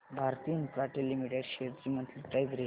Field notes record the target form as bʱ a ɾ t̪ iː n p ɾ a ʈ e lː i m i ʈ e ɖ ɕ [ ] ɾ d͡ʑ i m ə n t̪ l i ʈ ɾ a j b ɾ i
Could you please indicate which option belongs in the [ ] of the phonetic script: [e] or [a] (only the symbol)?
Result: e